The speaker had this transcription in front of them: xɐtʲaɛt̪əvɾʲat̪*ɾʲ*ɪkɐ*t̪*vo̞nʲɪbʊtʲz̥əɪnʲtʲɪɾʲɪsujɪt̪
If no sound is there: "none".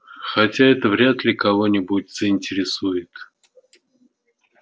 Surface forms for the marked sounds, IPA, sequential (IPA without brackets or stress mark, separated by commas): lʲ, none